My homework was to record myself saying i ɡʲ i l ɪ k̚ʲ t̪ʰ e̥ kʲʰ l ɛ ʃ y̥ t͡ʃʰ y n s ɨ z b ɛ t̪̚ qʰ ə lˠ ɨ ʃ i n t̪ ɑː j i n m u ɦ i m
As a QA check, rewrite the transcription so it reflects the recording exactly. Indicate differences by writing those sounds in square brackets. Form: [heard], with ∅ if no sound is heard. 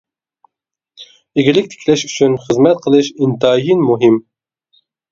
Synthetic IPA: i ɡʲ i l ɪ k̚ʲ t̪ʰ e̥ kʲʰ l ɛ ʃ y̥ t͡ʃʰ y n [χ] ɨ z [m] ɛ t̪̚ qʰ ə lˠ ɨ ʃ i n t̪ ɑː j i n m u ɦ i m